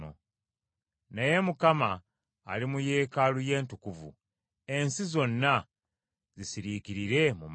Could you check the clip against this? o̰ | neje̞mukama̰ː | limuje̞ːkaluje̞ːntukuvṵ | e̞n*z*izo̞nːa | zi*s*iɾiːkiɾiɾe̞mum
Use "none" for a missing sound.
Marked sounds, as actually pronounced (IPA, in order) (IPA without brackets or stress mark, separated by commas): s, s